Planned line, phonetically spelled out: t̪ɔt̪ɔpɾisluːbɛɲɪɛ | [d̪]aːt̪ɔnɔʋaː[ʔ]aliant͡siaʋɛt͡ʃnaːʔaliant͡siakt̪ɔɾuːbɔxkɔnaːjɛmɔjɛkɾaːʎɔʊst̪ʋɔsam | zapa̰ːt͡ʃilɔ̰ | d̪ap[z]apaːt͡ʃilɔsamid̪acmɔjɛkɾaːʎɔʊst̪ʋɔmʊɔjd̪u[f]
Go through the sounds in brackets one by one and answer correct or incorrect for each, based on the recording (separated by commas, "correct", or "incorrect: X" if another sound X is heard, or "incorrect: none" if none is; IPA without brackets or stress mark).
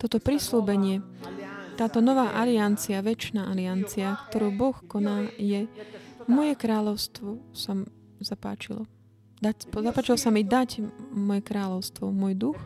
incorrect: t̪, correct, correct, incorrect: x